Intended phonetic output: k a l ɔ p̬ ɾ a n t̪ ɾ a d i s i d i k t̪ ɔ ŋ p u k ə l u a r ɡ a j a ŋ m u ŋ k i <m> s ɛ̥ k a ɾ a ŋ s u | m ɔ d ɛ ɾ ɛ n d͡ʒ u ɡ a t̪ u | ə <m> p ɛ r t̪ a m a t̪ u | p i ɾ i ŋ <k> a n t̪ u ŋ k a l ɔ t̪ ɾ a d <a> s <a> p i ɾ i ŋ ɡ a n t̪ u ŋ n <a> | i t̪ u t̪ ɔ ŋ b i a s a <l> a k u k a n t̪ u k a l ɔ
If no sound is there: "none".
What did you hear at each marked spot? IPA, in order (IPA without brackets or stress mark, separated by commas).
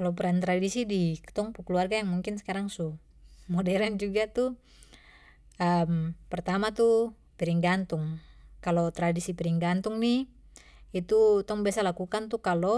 n, m, ɡ, i, i, i, l